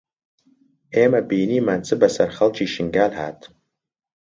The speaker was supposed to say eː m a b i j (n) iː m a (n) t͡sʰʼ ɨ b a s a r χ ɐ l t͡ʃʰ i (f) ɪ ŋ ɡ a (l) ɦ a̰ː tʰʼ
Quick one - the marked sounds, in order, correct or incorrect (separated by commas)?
correct, correct, incorrect, correct